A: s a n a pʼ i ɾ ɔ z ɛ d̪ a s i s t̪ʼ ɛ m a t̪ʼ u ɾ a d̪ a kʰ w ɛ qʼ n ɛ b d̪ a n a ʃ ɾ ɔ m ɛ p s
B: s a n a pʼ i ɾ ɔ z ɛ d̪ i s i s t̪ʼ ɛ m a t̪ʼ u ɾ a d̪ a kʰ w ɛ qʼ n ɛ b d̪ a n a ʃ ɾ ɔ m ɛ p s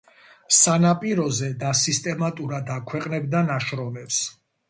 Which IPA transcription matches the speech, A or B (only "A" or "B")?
A